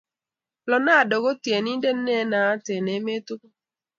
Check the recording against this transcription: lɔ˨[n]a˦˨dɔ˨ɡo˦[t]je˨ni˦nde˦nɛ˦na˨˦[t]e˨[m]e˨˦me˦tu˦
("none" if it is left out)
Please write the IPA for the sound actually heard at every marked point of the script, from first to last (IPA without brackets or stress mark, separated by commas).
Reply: n, t, t, n